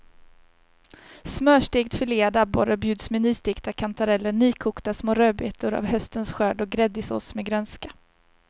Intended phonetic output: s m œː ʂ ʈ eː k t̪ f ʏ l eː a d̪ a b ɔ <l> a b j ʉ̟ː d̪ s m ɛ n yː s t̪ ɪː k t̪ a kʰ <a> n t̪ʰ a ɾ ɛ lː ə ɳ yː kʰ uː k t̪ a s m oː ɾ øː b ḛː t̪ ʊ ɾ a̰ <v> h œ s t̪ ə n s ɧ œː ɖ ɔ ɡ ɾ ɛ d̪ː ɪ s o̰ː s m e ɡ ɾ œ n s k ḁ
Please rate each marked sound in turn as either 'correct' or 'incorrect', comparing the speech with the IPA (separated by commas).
incorrect, correct, correct